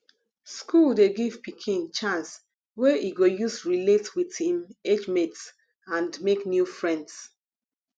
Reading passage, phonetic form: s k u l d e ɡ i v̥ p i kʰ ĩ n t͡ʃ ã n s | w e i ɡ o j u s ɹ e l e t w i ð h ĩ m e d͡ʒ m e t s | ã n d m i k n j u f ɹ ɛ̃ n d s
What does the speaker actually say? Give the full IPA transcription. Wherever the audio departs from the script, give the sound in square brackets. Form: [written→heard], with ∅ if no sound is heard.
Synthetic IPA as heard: s k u l d e ɡ i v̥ p i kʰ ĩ n t͡ʃ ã n s | w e i ɡ o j u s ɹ [e→i] l e t w i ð h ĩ m e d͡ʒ m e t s | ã n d m [i→e] k n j u f ɹ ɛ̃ n d s